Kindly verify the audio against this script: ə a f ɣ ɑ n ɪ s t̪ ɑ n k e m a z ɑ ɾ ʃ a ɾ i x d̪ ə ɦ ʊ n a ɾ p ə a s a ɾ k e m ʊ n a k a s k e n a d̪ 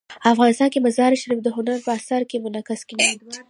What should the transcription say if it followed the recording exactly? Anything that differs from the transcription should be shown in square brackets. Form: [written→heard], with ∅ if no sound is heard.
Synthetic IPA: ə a f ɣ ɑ n ɪ s t̪ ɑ n k e m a z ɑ ɾ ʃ a ɾ i [x→f] d̪ ə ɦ ʊ n a ɾ p ə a s a ɾ k e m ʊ n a k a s k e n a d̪